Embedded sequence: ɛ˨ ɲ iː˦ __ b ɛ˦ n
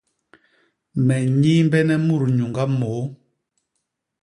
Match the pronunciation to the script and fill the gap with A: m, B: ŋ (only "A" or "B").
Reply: A